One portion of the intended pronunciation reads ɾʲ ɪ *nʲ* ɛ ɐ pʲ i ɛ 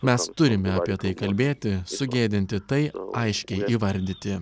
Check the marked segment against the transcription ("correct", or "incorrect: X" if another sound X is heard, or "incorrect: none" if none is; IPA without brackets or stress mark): incorrect: mʲ